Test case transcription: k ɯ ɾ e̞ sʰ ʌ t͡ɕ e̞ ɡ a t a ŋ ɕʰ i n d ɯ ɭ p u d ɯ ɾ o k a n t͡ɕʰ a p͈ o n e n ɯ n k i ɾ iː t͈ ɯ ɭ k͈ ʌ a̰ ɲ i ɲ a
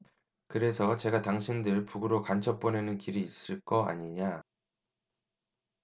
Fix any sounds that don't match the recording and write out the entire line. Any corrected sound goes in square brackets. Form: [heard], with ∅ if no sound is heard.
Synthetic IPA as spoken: k ɯ ɾ e̞ sʰ ʌ t͡ɕ e̞ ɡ a t a ŋ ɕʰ i n d ɯ ɭ p u [ɡ] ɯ ɾ o k a n t͡ɕʰ [ʌ] p͈ o n e n ɯ n k i ɾ iː [s͈] ɯ ɭ k͈ ʌ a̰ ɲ i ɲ a